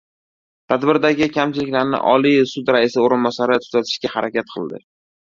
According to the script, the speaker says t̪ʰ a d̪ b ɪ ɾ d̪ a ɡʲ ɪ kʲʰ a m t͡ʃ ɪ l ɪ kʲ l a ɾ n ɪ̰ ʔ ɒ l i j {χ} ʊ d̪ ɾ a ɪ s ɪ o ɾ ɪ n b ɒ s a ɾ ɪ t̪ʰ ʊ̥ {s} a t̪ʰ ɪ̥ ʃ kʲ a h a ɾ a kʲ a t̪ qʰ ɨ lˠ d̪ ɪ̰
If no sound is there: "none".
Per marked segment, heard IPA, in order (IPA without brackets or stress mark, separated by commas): s, z